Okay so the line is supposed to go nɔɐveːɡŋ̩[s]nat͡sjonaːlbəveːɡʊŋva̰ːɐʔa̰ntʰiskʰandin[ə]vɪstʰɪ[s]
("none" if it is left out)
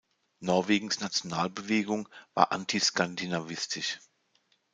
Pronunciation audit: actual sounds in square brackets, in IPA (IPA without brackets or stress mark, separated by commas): s, a, ʃ